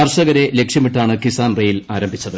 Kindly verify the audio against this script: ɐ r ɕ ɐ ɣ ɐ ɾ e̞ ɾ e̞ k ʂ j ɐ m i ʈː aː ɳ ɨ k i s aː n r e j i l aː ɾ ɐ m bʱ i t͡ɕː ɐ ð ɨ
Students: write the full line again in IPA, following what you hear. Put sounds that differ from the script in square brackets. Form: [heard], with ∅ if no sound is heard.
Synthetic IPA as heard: ɐ r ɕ ɐ ɣ ɐ ɾ e̞ [l] e̞ k ʂ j ɐ m i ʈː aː ɳ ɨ k i s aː n r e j i l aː ɾ ɐ m bʱ i t͡ɕː ɐ ð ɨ